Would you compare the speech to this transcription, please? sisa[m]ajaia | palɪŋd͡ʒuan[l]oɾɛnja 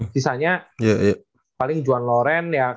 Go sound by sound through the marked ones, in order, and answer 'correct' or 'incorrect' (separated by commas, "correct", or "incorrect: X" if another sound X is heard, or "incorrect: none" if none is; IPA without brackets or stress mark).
incorrect: ɲ, correct